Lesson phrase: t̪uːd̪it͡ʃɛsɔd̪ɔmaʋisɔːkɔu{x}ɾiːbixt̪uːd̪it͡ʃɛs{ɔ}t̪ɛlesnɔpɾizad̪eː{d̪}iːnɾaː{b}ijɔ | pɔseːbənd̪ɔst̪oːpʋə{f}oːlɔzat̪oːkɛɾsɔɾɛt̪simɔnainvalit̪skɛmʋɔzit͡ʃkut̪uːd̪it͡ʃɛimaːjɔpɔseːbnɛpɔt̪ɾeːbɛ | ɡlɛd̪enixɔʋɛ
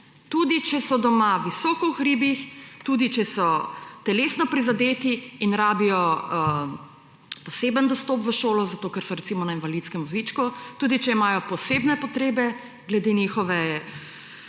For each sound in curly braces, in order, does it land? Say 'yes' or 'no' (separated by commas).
yes, yes, no, yes, no